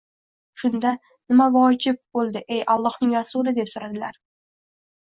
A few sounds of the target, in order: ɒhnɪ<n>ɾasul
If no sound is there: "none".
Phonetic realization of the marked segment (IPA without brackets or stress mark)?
ŋ